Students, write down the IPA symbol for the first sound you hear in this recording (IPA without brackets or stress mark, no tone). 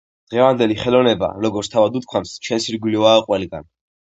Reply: d̪̥